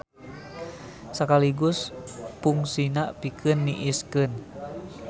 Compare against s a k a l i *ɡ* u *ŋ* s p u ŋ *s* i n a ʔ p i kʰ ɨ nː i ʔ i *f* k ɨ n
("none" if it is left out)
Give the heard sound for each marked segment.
ɡ, none, s, s

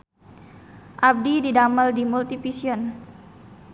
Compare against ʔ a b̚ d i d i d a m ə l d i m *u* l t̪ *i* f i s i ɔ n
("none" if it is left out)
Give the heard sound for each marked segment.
u, i

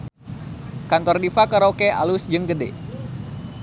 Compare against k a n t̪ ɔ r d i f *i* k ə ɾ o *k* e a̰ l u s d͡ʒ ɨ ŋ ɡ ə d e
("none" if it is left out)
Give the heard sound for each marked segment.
a, k

